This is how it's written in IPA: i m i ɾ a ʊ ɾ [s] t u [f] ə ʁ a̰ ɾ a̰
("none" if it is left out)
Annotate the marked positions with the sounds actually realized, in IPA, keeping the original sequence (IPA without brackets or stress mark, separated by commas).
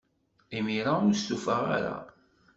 s, f